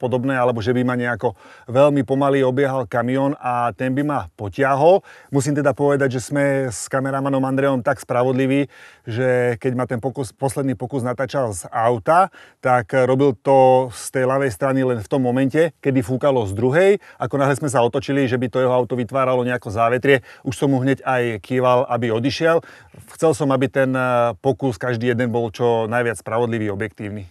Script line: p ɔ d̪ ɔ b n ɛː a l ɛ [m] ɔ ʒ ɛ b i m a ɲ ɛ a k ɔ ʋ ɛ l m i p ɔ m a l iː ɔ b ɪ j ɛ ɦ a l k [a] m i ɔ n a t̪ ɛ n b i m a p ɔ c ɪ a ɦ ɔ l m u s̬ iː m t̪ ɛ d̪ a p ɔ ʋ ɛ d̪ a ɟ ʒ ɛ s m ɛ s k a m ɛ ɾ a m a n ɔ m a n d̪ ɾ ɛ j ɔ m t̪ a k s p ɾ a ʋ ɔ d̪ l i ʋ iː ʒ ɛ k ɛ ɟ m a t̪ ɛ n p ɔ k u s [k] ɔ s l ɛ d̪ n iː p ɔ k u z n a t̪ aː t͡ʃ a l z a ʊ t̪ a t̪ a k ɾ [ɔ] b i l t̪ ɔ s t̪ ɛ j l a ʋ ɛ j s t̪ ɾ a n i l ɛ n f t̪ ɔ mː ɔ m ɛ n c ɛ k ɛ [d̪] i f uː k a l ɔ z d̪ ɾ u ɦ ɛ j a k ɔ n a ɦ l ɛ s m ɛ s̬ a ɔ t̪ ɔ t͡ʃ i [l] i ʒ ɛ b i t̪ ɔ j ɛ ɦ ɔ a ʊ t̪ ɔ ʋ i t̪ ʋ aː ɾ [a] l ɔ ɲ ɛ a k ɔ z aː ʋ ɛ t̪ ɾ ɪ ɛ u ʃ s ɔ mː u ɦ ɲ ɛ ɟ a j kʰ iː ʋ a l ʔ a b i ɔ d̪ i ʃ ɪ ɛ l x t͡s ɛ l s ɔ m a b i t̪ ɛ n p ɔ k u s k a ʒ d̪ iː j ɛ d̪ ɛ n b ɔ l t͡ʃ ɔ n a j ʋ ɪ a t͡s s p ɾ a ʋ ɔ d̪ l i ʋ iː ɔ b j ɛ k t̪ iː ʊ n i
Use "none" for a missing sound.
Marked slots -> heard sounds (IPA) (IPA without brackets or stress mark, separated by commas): b, a, p, ɔ, d̪, l, a